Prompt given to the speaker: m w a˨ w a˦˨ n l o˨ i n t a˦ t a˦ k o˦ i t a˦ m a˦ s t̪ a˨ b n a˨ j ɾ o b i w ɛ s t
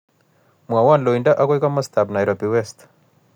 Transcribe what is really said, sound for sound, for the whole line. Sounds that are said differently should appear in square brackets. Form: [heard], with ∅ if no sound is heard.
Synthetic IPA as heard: m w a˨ w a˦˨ n l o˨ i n [d] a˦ [ʔ] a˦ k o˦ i [k] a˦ m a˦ s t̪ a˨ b n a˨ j ɾ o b i w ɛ s t